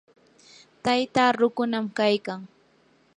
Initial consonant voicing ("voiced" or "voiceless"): voiceless